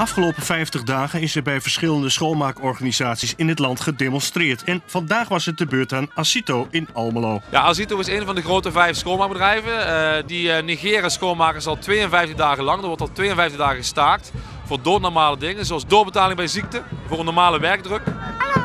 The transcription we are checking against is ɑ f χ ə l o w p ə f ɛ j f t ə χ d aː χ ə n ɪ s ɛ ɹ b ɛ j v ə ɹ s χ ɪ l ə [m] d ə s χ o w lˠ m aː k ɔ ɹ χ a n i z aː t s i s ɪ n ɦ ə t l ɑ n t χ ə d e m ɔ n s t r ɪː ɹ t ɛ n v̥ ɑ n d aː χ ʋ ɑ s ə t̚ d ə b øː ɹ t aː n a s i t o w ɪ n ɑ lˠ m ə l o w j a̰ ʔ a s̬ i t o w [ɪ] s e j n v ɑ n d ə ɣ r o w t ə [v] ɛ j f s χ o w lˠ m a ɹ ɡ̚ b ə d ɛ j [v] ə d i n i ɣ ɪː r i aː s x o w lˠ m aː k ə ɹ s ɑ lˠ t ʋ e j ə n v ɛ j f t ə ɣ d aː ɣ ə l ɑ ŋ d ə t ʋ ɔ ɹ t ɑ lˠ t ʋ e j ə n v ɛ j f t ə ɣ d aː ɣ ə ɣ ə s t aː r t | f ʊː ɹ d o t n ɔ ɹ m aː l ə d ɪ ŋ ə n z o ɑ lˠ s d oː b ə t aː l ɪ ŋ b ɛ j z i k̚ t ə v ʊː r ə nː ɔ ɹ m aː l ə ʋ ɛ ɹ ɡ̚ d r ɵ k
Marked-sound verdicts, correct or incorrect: incorrect: n, correct, correct, correct

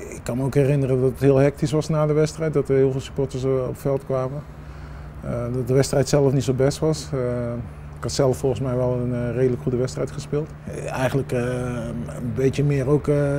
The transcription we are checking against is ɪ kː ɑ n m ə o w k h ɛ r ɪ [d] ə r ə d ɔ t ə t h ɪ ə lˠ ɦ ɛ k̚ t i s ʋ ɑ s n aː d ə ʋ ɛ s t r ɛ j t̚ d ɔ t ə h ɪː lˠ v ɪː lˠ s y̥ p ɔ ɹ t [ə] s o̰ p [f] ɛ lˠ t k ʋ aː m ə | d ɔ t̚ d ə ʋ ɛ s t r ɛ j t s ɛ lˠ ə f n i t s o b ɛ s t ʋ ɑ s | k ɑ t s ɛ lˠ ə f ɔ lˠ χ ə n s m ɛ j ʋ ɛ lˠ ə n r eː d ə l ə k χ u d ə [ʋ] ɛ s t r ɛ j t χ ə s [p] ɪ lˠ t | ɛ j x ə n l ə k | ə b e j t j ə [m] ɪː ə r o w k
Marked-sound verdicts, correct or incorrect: incorrect: n, correct, correct, correct, correct, correct

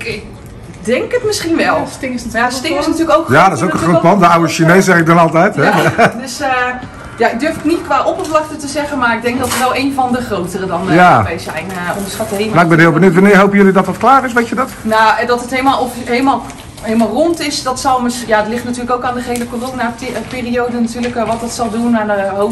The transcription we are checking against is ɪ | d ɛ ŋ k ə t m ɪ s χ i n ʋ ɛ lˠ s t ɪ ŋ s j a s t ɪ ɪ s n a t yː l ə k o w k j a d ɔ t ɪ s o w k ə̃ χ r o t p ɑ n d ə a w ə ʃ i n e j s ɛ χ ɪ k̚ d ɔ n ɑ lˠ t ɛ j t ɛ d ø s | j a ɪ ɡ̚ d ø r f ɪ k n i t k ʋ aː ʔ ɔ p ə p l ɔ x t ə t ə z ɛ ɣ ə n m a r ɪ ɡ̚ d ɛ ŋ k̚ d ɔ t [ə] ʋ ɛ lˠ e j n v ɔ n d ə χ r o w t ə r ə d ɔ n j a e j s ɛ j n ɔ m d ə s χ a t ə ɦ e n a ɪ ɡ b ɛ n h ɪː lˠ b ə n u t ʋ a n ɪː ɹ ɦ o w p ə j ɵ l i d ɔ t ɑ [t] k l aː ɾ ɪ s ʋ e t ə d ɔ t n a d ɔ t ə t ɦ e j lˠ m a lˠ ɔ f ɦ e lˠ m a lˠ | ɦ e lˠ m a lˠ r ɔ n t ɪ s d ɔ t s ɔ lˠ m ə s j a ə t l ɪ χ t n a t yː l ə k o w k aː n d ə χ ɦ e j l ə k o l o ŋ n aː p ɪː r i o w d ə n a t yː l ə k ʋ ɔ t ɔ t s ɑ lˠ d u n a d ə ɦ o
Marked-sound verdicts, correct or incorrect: correct, correct

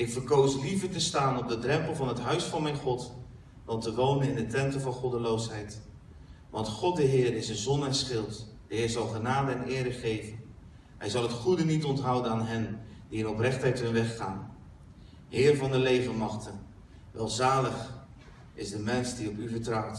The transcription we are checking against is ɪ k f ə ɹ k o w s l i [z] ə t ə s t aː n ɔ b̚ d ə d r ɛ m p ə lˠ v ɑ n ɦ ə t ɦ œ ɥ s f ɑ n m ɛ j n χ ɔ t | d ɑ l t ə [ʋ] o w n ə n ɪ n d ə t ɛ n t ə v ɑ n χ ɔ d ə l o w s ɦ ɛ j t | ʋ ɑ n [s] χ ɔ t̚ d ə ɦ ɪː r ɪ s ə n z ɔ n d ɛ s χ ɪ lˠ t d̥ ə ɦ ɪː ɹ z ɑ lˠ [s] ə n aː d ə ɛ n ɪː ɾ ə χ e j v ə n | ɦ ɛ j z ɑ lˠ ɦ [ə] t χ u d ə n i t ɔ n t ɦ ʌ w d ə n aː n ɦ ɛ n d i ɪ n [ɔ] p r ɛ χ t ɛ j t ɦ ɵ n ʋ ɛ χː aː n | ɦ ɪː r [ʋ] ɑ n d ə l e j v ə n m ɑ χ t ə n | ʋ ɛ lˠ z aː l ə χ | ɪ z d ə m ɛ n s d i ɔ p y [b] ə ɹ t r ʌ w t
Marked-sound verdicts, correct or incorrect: incorrect: v, correct, incorrect: t, incorrect: χ, correct, correct, incorrect: v, incorrect: v

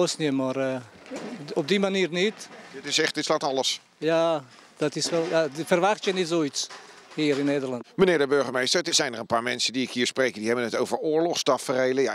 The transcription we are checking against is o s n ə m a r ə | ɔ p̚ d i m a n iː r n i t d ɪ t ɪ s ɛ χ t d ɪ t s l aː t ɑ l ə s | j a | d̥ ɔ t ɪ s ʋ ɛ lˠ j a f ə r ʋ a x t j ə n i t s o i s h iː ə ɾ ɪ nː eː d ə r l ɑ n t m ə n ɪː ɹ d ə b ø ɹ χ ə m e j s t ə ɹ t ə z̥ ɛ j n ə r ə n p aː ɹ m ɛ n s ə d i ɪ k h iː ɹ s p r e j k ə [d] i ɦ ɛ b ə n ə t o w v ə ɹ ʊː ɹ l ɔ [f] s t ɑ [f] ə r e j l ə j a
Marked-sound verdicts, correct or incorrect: correct, incorrect: χ, correct

